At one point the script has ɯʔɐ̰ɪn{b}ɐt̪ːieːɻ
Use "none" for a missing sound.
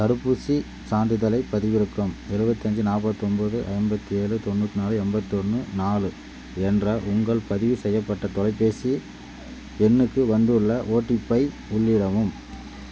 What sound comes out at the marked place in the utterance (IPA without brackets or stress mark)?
b